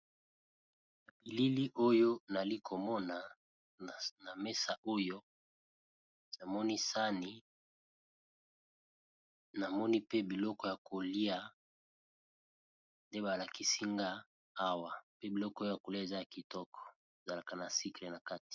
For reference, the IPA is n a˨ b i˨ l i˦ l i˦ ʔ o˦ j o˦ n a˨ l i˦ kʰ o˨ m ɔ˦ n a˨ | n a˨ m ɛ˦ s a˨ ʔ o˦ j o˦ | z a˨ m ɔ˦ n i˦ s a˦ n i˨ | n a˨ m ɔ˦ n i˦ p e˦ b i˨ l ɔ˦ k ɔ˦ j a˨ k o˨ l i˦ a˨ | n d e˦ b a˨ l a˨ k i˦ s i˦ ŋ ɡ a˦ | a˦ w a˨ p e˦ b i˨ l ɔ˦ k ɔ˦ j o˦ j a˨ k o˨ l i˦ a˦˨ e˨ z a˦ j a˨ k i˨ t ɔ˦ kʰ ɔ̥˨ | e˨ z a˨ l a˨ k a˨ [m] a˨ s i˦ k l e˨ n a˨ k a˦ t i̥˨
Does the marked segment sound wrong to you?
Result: yes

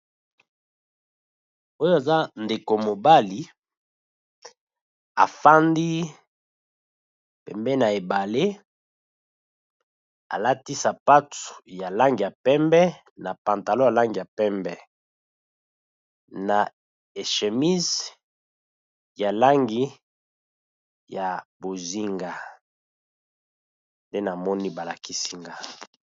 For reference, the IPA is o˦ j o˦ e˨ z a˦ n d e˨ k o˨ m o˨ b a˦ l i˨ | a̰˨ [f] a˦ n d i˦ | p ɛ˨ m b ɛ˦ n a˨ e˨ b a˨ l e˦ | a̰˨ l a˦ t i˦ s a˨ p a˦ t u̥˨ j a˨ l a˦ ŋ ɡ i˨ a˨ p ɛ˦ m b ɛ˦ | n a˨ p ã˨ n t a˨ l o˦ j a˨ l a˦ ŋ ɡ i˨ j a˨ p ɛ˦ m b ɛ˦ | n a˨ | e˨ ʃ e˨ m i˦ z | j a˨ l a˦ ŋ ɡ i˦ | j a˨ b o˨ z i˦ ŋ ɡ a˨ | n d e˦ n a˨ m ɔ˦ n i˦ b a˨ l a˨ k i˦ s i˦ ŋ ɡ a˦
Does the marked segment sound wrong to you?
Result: no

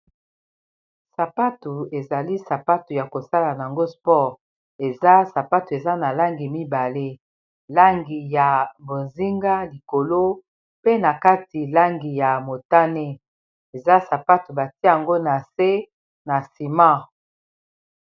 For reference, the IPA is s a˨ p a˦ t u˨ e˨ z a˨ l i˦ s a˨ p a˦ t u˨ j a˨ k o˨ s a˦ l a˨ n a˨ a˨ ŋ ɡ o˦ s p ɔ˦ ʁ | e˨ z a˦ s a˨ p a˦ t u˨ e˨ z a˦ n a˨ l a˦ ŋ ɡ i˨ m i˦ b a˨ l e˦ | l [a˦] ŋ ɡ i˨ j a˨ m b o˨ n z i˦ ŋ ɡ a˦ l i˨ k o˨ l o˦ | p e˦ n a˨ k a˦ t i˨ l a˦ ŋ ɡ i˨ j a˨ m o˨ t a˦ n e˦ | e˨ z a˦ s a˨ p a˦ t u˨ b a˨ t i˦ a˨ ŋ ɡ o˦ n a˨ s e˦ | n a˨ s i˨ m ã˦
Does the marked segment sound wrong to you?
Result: no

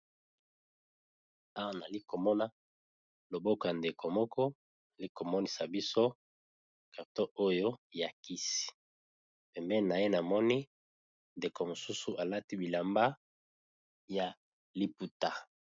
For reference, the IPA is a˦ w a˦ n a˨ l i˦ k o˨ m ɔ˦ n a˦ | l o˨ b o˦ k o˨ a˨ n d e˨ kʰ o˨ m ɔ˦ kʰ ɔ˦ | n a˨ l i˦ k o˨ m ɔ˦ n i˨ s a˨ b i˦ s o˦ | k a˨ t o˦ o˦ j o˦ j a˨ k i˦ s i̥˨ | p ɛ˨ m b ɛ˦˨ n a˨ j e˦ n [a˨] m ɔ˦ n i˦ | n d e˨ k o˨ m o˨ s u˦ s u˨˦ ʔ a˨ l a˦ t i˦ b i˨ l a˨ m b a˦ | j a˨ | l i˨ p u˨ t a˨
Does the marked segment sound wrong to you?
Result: no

